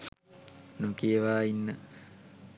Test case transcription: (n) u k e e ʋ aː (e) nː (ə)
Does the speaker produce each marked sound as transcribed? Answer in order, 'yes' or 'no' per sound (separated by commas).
yes, no, yes